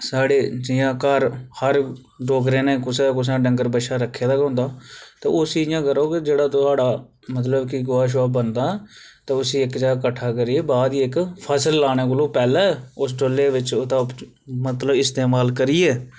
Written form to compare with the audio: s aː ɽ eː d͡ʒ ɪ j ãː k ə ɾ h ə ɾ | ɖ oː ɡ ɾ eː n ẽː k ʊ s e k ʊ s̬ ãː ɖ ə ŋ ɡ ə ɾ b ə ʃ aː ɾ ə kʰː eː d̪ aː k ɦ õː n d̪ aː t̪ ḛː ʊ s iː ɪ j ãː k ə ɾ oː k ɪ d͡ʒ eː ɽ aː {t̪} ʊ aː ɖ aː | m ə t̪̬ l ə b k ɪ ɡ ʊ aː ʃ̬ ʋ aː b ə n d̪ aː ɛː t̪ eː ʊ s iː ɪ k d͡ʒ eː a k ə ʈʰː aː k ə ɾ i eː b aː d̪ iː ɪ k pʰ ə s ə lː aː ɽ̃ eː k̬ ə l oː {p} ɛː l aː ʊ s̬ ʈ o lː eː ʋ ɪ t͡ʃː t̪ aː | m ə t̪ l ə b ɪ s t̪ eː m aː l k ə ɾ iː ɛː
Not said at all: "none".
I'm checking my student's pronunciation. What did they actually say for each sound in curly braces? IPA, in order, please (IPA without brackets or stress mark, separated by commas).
t̪, p